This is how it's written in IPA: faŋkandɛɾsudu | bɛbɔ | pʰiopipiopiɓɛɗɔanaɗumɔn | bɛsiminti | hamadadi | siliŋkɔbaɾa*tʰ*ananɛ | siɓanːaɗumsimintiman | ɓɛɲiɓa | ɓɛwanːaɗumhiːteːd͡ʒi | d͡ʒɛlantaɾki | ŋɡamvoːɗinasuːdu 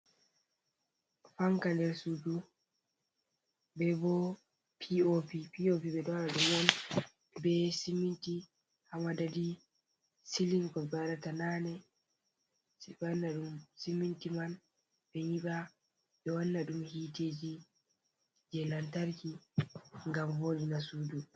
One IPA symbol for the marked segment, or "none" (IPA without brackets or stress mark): t